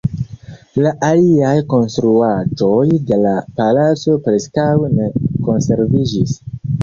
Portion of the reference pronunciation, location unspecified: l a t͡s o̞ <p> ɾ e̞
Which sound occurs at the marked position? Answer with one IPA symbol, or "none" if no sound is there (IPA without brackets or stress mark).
p